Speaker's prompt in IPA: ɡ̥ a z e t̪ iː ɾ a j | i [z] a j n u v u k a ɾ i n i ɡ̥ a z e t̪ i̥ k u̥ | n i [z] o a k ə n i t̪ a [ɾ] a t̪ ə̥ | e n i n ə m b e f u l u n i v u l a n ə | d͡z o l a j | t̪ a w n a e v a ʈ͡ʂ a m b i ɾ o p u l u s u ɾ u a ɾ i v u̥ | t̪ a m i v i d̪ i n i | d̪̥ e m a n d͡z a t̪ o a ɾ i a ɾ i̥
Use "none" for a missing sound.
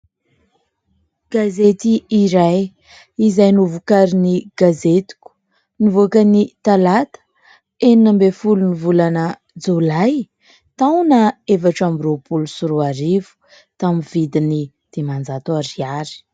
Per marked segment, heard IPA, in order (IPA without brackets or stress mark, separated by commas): z, v, l